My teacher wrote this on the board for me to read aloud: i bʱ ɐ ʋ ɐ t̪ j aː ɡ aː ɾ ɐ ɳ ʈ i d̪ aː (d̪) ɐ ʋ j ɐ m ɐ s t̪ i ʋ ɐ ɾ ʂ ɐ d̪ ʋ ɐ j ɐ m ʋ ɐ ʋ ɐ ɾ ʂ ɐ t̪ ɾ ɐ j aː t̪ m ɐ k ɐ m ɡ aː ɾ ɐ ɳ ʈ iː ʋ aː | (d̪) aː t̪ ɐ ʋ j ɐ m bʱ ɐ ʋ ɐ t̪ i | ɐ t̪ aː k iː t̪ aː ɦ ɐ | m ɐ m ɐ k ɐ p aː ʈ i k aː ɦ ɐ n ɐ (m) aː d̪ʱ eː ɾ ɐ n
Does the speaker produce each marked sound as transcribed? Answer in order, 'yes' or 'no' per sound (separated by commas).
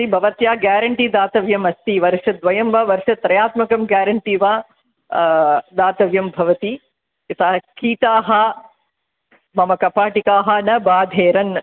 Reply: no, yes, no